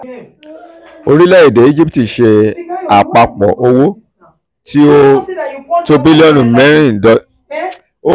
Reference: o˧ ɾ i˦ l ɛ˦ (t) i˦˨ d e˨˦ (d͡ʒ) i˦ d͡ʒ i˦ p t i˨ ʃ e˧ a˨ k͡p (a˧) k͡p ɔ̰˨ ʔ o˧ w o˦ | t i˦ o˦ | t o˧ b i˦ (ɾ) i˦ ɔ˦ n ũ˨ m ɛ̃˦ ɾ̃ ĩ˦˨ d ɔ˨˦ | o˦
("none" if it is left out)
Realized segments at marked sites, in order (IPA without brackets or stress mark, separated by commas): none, none, a˧, l